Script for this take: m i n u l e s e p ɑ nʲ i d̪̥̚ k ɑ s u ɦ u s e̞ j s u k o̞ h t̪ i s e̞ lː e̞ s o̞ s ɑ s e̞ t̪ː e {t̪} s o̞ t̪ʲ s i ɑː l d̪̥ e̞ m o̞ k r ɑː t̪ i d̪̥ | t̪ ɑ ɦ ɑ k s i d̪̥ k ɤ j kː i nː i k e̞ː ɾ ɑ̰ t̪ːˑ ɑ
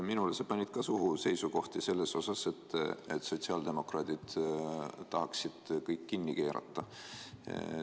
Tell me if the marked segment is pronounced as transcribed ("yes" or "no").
yes